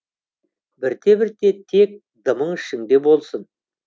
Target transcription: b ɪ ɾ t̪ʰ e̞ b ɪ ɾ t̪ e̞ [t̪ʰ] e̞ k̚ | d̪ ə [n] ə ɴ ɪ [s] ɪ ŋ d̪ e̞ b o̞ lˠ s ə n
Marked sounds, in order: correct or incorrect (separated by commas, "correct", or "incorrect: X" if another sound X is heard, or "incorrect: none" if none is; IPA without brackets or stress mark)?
correct, incorrect: m, incorrect: ʃ